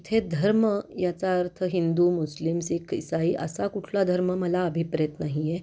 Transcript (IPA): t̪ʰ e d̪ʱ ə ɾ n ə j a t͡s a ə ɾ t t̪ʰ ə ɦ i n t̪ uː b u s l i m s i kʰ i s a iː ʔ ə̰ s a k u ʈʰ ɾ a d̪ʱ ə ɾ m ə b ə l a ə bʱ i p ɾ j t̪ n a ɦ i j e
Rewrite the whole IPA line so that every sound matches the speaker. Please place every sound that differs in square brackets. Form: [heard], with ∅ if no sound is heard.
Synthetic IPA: t̪ʰ e d̪ʱ ə ɾ [m] ə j a t͡s a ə ɾ t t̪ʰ ə ɦ i n [d̪] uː [m] u s l i m s i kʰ i s a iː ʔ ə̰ s a k u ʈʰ [l] a d̪ʱ ə ɾ m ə [m] ə l a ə bʱ i p ɾ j t̪ n a ɦ i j e